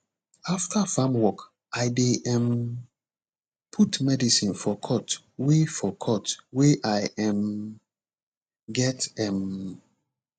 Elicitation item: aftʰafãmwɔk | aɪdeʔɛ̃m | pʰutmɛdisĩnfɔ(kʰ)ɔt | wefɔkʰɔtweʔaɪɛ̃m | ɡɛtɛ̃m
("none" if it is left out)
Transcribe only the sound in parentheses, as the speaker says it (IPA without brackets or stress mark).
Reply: kʰ